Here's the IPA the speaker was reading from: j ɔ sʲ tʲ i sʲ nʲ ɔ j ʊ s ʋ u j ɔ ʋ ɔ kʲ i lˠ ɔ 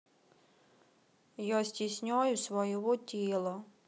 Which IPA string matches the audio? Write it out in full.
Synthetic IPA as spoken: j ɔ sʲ tʲ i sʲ nʲ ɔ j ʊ s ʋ ɔ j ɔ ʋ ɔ tʲ i lˠ ɔ

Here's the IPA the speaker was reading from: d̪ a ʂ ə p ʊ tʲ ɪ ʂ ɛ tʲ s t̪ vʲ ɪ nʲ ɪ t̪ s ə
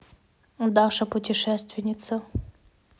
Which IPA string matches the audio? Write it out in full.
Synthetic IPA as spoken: d̪ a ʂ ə p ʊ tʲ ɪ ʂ ɛ s t̪ vʲ ɪ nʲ ɪ t̪ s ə

